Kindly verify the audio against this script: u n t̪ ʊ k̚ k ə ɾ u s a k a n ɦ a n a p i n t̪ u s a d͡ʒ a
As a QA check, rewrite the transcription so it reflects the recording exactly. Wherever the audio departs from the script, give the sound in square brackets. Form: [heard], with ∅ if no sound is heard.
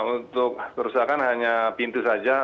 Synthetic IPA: u n t̪ ʊ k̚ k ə ɾ u s a k a n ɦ a [ɲ] a p i n t̪ u s a d͡ʒ a